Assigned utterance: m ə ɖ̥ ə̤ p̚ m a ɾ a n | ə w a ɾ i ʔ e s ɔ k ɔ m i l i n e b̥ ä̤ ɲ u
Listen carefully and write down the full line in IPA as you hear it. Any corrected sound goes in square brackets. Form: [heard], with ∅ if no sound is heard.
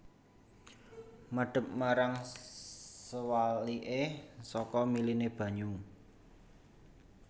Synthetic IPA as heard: m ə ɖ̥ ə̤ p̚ m a ɾ a [ŋ] | ə w a [l] i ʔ e s ɔ k ɔ m i l i n e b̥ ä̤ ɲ u